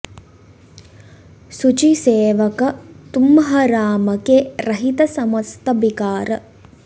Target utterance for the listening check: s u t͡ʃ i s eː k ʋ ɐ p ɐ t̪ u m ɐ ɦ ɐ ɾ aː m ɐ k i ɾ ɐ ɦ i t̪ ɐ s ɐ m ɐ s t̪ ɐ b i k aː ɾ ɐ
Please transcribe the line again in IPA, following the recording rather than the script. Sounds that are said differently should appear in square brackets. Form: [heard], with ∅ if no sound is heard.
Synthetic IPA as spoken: s u t͡ʃ i s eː [∅] ʋ ɐ [k] ɐ t̪ u m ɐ ɦ ɐ ɾ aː m ɐ k [e] ɾ ɐ ɦ i t̪ ɐ s ɐ m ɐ s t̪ ɐ b i k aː ɾ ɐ

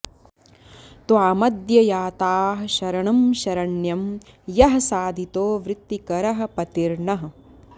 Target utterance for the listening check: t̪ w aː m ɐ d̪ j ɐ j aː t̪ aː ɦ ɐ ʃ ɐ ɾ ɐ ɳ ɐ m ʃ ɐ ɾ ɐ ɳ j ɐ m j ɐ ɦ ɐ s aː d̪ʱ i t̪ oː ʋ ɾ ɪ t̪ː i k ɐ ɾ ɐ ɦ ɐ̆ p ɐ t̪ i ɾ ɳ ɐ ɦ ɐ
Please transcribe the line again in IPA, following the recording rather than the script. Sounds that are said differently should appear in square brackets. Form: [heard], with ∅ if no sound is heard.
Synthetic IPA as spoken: t̪ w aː m ɐ d̪ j ɐ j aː t̪ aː ɦ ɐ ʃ ɐ ɾ ɐ ɳ ɐ m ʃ ɐ ɾ ɐ ɳ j ɐ m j ɐ ɦ ɐ s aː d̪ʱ i t̪ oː ʋ ɾ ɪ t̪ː i k ɐ ɾ ɐ ɦ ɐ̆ p ɐ t̪ i ɾ ɳ ɐ ɦ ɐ

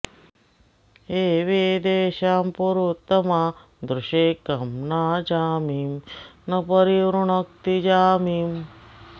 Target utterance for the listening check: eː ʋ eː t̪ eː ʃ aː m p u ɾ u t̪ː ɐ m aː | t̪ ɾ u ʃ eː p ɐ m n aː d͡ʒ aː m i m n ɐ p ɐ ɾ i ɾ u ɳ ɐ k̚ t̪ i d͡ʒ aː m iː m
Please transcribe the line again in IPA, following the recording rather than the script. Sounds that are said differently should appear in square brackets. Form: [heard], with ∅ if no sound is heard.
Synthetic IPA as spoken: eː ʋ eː [d̪] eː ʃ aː m p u ɾ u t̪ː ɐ m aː | [d̪] ɾ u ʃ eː [k] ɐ m n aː d͡ʒ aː m i m n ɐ p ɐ ɾ i ɾ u ɳ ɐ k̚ t̪ i d͡ʒ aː m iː m

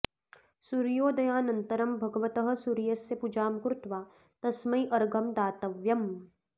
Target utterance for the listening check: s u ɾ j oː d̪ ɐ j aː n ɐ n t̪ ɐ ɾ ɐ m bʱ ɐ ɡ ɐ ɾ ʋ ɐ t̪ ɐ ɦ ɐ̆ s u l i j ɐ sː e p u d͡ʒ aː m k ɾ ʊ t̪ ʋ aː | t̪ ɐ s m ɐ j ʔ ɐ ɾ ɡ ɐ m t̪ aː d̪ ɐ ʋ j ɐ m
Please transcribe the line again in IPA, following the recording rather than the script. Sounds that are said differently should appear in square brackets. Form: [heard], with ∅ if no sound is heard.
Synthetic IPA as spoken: s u ɾ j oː d̪ ɐ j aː n ɐ n t̪ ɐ ɾ ɐ m bʱ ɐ ɡ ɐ [∅] ʋ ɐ t̪ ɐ ɦ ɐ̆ s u [ɾ] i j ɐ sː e p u d͡ʒ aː m k ɾ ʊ t̪ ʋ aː | t̪ ɐ s m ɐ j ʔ ɐ ɾ ɡ ɐ m [d̪] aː [t̪] ɐ ʋ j ɐ m

